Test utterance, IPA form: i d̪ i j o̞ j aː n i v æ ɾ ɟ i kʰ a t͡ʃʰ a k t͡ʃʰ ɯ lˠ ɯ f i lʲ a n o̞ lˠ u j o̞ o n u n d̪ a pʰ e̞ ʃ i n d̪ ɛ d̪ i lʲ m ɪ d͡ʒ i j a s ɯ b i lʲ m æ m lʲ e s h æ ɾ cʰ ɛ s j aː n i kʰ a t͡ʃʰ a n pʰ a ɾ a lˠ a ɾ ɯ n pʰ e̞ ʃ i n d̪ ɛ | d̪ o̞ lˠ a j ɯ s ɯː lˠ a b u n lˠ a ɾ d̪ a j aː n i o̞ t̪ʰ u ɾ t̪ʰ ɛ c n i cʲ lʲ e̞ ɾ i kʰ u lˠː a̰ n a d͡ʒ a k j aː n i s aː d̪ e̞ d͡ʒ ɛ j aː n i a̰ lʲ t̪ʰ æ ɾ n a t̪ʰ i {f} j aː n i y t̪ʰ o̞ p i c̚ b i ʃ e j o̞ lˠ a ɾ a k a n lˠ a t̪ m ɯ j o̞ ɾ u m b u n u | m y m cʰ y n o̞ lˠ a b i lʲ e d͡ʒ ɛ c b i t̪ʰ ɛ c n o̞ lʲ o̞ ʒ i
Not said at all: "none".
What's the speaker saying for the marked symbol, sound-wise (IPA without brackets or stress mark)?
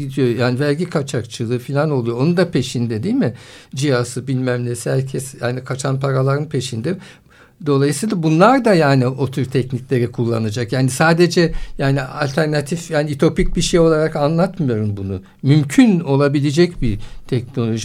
f